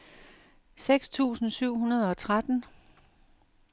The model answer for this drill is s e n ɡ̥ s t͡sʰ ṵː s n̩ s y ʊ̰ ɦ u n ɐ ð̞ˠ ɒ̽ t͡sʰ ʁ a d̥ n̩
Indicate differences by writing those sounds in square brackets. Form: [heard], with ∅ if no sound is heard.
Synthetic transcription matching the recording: s e [∅] ɡ̥ s t͡sʰ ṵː s n̩ s y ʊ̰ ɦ u n ɐ ð̞ˠ ɒ̽ t͡sʰ ʁ a d̥ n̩